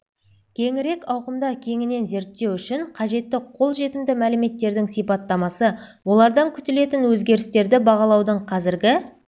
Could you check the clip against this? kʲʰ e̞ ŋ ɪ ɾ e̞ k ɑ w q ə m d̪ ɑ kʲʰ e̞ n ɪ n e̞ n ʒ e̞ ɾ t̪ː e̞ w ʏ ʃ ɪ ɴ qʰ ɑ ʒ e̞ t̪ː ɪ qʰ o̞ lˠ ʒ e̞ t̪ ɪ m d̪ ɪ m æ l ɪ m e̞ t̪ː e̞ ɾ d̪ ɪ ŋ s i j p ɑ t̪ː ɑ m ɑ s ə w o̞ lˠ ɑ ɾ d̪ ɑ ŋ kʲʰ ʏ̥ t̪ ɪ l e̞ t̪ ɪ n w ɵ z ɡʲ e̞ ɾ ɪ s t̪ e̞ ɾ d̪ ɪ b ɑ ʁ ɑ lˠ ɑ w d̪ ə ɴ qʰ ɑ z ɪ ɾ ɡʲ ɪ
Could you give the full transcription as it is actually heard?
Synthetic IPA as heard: kʲʰ e̞ ŋ ɪ ɾ e̞ k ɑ w q ə m d̪ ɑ kʲʰ e̞ ŋ ɪ n e̞ n z e̞ ɾ t̪ː e̞ w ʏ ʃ ɪ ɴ qʰ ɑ ʒ e̞ t̪ː ɪ qʰ o̞ lˠ ʒ e̞ t̪ ɪ m d̪ ɪ m æ l ɪ m e̞ t̪ː e̞ ɾ d̪ ɪ ŋ s i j p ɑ t̪ː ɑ m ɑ s ə w o̞ lˠ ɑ ɾ d̪ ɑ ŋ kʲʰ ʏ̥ t̪ ɪ l e̞ t̪ ɪ n w ɵ z ɡʲ e̞ ɾ ɪ s t̪ e̞ ɾ d̪ ɪ b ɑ ʁ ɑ lˠ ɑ w d̪ ə ɴ qʰ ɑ z ɪ ɾ ɡʲ ɪ

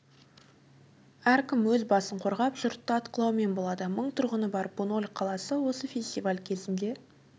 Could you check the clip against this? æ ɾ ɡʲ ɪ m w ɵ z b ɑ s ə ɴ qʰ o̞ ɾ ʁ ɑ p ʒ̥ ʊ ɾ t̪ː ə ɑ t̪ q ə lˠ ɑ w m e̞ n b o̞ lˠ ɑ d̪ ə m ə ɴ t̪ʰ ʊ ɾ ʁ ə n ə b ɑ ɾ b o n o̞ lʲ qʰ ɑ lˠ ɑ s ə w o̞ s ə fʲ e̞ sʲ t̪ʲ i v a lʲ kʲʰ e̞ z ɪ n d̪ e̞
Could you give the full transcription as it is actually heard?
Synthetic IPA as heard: æ ɾ kʲ ɪ m w ɵ z b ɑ s ə ɴ qʰ o̞ ɾ ʁ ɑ p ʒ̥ ʊ ɾ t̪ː ə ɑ t̪ q ə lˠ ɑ w m e̞ n b o̞ lˠ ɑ d̪ ə m ə ɴ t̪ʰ ʊ ɾ ʁ ə n ə b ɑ ɾ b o n o̞ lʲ qʰ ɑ lˠ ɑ s ə w o̞ s ə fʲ e̞ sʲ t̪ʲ i v a lʲ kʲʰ e̞ z ɪ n d̪ e̞

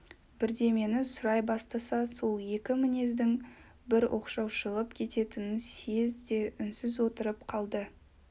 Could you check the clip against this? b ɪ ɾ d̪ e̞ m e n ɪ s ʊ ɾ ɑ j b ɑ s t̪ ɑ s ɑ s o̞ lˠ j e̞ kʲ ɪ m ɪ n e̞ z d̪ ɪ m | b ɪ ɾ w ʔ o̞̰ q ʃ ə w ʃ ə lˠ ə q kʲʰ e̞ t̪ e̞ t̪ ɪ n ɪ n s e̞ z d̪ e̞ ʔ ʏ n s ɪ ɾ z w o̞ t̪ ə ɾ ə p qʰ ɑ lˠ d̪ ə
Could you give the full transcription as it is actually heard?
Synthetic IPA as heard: b ɪ ɾ d̪ e̞ m e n ɪ s ʊ ɾ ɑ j b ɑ s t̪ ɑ s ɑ s o̞ lˠ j e̞ kʲ ɪ m ɪ n e̞ z d̪ ɪ ŋ | b ɪ ɾ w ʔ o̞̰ q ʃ ɑ w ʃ ə lˠ ə p kʲʰ e̞ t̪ e̞ t̪ ɪ n ɪ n s e̞ z d̪ e̞ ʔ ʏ n s ɪ z w o̞ t̪ ə ɾ ə p qʰ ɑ lˠ d̪ ə

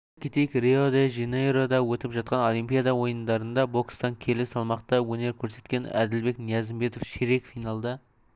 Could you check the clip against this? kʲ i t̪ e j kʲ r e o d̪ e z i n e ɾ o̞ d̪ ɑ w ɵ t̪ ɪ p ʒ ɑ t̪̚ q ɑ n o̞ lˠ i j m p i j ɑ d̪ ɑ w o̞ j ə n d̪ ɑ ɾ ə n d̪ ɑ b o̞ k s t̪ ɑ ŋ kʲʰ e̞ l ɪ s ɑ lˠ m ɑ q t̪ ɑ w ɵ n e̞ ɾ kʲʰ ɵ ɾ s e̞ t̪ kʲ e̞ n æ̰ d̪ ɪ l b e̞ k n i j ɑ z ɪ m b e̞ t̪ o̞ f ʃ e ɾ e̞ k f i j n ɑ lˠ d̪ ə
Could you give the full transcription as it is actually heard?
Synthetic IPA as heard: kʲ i t̪ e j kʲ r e o d̪ e ʒ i n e ɾ o̞ d̪ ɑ w ɵ t̪ ɪ p ʒ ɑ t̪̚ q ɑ n o̞ lˠ i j m p i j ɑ d̪ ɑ w o̞ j ə n d̪ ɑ ɾ ə n d̪ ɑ b o̞ k s t̪ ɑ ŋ kʲʰ e̞ l ɪ s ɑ lˠ m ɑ q t̪ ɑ w ɵ n e̞ ɾ kʲʰ ɵ ɾ s e̞ t̪ kʲ e̞ n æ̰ d̪ ɪ l b e̞ k n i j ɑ z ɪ m b e̞ t̪ o̞ f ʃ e ɾ e̞ k f i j n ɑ lˠ d̪ ɑ

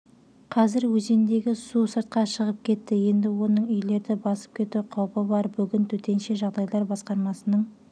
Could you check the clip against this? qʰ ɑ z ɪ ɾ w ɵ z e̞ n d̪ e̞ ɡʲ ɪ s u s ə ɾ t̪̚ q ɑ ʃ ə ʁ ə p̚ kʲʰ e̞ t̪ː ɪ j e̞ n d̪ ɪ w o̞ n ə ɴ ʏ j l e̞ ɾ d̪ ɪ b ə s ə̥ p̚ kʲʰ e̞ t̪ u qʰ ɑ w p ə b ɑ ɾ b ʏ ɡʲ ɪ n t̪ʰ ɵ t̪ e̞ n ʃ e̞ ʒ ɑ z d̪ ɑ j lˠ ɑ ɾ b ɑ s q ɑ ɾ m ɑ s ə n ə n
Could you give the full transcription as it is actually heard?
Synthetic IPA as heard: qʰ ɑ z ɪ ɾ w ɵ z e̞ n d̪ e̞ ɡʲ ɪ s u s ə ɾ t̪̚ q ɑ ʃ ə ʁ ə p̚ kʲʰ e̞ t̪ː ɪ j e̞ n d̪ ɪ w o̞ n ə ɴ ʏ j l e̞ ɾ d̪ ɪ b ɑ s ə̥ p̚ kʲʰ e̞ t̪ u qʰ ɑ w p ə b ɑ ɾ b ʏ ɡʲ ɪ n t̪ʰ ɵ t̪ e̞ n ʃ e̞ ʒ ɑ ʁ d̪ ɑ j lˠ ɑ ɾ b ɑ s q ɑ ɾ m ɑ s ə n ə ɴ

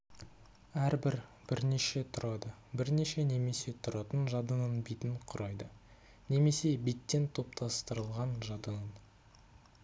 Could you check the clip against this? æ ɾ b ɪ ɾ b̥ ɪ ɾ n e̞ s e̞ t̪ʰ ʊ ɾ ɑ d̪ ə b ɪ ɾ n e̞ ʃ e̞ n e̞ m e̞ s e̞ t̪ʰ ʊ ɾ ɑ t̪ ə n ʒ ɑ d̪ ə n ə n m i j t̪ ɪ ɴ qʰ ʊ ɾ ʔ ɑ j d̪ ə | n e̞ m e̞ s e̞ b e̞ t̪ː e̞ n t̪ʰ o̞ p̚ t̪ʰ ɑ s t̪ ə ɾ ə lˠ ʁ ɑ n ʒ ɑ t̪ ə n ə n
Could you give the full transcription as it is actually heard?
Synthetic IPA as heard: æ ɾ b ɪ ɾ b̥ ɪ ɾ n e̞ ʃ e̞ t̪ʰ ʊ ɾ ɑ d̪ ə b ɪ ɾ n e̞ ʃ e̞ n e̞ m e̞ s e̞ t̪ʰ ʊ ɾ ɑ t̪ ə n ʒ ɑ d̪ ə n ə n b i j t̪ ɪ ɴ qʰ ʊ ɾ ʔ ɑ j d̪ ə | n e̞ m e̞ s e̞ b e̞ t̪ː e̞ n t̪ʰ o̞ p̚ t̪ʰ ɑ s t̪ ə ɾ ə lˠ ʁ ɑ n ʒ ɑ d̪ ə n ə n

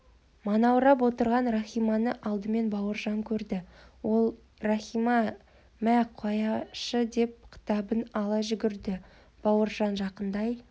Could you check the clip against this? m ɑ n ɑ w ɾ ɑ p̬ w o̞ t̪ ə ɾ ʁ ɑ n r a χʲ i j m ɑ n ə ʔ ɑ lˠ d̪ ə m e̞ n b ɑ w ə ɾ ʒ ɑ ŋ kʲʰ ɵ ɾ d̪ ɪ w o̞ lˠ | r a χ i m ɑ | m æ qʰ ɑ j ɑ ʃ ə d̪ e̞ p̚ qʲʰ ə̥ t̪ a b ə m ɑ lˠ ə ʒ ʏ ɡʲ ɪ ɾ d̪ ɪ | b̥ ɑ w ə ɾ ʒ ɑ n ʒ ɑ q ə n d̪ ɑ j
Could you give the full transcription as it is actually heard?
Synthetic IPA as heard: m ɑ n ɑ w ɾ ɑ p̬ w o̞ t̪ ə ɾ ʁ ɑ n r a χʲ i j m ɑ n ə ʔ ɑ lˠ d̪ ə m e̞ n b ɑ w ə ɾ ʒ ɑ ŋ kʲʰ ɵ ɾ d̪ ɪ w o̞ lˠ | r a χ i m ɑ | m æ qʰ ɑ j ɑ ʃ ə d̪ e̞ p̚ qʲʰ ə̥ t̪ ɑ b ə n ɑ lˠ ɑ ʒ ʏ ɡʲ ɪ ɾ d̪ ɪ | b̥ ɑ w ə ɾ ʒ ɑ n ʒ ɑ q ə n d̪ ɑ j

